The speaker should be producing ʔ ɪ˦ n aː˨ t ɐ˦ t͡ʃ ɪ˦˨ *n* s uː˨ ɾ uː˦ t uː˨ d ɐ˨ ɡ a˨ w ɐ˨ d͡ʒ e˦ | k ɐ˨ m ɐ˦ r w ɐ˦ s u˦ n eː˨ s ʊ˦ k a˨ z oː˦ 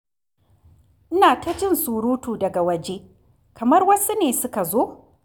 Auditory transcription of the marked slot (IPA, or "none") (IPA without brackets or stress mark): n